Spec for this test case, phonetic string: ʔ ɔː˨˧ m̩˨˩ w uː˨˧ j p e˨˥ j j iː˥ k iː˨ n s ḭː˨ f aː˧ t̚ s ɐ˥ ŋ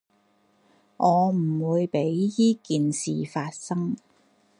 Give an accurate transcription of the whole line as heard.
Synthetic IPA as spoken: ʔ ɔː˨˧ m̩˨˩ w uː˨˧ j p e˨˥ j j iː˥ k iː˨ n s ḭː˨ f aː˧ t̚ s ɐ˥ ŋ